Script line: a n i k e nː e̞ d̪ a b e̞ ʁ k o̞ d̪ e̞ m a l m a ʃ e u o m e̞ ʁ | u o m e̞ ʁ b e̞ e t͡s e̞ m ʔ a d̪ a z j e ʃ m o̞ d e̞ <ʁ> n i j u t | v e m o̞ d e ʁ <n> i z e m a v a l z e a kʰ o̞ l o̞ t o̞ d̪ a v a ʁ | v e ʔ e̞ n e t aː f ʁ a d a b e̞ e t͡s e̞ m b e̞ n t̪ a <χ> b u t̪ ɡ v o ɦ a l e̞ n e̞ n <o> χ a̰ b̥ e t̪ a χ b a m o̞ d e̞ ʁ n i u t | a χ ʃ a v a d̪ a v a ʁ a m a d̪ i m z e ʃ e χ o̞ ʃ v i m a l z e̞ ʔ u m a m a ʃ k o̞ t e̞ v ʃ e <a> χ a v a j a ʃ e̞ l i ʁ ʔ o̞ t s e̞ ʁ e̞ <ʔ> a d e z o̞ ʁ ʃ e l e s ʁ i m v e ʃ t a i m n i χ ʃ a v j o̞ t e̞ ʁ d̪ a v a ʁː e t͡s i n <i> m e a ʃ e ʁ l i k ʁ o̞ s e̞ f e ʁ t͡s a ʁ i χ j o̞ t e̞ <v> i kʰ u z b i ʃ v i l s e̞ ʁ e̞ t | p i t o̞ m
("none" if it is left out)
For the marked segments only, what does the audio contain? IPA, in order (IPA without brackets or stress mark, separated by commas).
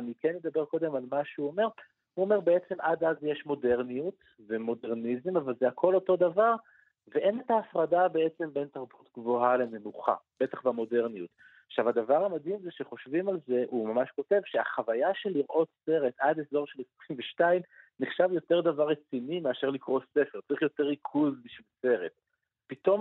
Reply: ʁ, n, ʁ, u, a, t, i, ʁ